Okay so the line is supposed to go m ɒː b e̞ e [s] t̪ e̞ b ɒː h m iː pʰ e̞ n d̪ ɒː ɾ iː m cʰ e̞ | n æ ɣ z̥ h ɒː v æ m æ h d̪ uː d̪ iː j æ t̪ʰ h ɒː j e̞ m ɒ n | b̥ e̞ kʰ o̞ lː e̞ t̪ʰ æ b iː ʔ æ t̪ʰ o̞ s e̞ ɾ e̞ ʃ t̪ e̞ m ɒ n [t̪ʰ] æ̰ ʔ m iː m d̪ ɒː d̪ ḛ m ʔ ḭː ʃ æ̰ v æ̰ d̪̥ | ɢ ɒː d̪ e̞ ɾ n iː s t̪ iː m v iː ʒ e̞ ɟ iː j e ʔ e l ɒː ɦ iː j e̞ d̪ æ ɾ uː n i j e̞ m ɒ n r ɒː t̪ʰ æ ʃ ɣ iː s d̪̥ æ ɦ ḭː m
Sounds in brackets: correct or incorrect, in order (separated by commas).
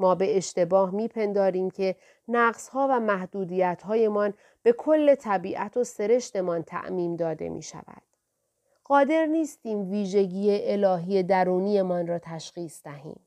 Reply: incorrect, correct